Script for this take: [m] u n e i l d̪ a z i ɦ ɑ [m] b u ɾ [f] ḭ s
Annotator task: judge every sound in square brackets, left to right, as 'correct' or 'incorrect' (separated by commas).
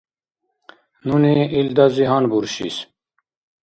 incorrect, incorrect, incorrect